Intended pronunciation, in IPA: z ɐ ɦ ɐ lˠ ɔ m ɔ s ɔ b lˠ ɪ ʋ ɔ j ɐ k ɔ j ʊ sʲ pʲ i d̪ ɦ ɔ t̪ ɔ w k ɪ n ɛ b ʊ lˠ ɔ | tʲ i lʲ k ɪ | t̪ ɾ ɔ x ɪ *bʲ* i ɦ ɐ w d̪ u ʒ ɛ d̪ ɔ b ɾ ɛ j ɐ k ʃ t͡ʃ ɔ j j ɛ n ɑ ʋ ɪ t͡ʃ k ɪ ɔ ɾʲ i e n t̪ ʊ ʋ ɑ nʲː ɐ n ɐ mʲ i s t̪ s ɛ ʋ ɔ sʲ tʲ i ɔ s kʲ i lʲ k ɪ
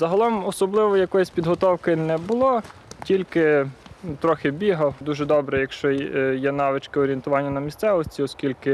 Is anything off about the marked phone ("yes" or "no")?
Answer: no